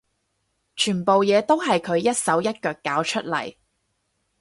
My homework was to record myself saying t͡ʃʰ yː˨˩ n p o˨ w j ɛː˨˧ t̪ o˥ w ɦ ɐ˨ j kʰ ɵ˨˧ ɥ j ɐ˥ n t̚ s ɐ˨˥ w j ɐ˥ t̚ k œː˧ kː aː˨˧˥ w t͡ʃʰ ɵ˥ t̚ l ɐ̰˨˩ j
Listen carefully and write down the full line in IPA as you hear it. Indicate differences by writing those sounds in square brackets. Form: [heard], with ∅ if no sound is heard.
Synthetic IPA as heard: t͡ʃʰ yː˨˩ n p o˨ w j ɛː˨˧ t̪ o˥ w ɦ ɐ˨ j kʰ ɵ˨˧ ɥ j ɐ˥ [∅] t̚ s ɐ˨˥ w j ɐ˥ t̚ k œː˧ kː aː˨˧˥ w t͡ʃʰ ɵ˥ t̚ l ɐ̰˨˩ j

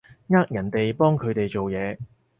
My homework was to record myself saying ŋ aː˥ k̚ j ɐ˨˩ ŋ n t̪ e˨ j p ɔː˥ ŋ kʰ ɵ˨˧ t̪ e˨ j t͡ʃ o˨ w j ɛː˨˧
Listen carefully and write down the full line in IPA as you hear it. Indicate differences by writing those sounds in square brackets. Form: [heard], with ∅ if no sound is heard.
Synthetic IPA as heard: ŋ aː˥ k̚ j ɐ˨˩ [∅] n t̪ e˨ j p ɔː˥ ŋ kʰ ɵ˨˧ t̪ e˨ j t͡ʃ o˨ w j ɛː˨˧

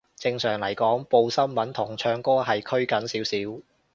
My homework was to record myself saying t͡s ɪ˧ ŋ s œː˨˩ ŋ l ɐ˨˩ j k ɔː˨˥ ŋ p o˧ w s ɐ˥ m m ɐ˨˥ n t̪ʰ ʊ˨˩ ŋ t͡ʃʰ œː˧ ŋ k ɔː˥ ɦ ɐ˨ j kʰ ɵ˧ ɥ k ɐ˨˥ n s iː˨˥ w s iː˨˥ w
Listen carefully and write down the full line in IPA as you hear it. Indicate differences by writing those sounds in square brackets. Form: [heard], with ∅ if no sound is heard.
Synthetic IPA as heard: t͡s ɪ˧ ŋ s œː˨˩ ŋ l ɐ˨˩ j k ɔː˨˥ ŋ p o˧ w s ɐ˥ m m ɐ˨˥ n t̪ʰ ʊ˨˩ ŋ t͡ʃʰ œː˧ ŋ k ɔː˥ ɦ ɐ˨ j kʰ [ɵ˥] ɥ k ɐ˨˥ n s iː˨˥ w s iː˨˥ w

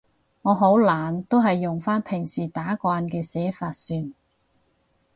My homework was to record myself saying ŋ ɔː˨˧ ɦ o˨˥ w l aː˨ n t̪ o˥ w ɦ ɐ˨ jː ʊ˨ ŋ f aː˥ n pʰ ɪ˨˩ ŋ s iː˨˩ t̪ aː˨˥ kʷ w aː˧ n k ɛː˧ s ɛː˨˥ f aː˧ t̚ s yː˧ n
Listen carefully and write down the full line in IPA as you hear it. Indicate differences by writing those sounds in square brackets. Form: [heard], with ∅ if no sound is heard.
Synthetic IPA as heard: ŋ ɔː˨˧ ɦ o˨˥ w l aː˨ n t̪ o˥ w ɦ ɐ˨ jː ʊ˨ ŋ f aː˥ n pʰ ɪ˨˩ ŋ s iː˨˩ t̪ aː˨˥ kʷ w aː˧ n k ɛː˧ s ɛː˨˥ f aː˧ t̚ s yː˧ n

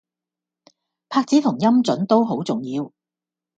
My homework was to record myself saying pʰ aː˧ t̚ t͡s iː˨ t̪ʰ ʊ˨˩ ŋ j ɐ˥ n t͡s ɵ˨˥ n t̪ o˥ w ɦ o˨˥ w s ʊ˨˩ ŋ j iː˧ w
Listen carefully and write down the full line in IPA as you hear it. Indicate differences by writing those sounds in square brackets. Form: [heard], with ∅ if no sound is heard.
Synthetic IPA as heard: pʰ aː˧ [k̚] t͡s [iː˨˥] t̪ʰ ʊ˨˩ ŋ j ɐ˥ [m] t͡s ɵ˨˥ n t̪ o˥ w ɦ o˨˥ w [t͡s] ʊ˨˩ ŋ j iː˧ w

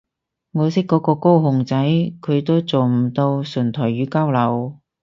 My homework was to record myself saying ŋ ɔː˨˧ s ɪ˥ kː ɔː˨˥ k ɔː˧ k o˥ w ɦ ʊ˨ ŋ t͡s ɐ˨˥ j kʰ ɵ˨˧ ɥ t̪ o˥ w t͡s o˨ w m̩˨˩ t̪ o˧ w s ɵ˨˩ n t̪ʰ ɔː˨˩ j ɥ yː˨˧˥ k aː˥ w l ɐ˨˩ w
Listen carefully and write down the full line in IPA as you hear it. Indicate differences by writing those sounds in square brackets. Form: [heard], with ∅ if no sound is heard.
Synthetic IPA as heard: ŋ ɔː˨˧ s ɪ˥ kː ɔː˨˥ k ɔː˧ k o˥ w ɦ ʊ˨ ŋ t͡s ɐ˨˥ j kʰ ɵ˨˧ ɥ t̪ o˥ w t͡s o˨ w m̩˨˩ t̪ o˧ w s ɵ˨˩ n t̪ʰ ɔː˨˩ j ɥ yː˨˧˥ k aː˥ w l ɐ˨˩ w

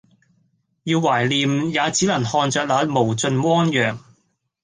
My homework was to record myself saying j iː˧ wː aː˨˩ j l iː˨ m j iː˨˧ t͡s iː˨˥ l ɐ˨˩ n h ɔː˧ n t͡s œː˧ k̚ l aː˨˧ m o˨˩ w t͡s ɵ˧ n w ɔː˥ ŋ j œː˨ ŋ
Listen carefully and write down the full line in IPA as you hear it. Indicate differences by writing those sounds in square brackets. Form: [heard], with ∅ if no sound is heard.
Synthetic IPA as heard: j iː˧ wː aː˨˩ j l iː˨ m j [aː˨˧] t͡s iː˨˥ l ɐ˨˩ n h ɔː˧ n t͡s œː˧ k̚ l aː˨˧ m o˨˩ w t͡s ɵ˧ n w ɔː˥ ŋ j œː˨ ŋ

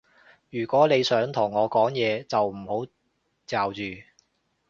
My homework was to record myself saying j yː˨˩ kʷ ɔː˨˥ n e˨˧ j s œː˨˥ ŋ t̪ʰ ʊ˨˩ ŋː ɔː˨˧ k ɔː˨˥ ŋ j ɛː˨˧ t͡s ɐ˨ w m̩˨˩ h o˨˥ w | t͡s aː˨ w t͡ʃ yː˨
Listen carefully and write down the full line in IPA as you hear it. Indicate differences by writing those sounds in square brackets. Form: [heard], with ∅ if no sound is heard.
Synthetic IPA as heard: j yː˨˩ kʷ ɔː˨˥ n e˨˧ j s œː˨˥ ŋ t̪ʰ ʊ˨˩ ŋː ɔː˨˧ k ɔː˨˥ ŋ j ɛː˨˧ t͡s ɐ˨ w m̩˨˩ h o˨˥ w | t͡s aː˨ w t͡ʃ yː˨

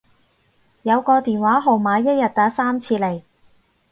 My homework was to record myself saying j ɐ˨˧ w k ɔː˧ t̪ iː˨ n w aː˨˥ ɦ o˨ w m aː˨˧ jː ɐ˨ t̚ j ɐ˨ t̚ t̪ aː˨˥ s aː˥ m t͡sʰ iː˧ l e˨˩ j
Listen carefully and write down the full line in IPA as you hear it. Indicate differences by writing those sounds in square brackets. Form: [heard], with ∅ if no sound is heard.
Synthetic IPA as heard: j ɐ˨˧ w k ɔː˧ t̪ iː˨ n w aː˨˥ ɦ o˨ w m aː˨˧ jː [ɐ˥] t̚ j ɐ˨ t̚ t̪ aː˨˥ s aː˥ m t͡sʰ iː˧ l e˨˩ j

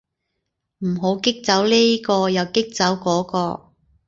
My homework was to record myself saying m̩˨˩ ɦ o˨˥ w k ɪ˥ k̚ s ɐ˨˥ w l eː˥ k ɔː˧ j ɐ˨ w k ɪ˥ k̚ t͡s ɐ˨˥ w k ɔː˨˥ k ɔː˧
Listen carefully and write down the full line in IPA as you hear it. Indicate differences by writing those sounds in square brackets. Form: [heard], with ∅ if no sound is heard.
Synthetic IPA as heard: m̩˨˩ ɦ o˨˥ w k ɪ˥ k̚ [t͡s] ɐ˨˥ w l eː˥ k ɔː˧ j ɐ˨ w k ɪ˥ k̚ t͡s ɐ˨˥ w k ɔː˨˥ k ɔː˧

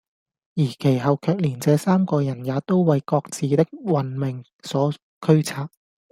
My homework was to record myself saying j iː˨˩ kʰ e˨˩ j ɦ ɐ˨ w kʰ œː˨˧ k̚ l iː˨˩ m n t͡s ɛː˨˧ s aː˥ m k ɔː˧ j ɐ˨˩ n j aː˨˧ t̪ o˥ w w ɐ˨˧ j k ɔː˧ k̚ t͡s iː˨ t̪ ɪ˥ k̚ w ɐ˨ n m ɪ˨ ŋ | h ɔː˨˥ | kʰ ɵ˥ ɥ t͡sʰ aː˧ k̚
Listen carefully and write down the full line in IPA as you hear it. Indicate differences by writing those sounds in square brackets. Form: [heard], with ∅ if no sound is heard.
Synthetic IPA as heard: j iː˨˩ kʰ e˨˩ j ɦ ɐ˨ w kʰ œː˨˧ k̚ l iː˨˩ [∅] n t͡s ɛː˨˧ s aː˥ m k ɔː˧ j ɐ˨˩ n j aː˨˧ t̪ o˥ w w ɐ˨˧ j k ɔː˧ k̚ t͡s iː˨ t̪ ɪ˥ k̚ w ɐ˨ n m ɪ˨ ŋ | [s] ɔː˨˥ | kʰ ɵ˥ ɥ t͡sʰ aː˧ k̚

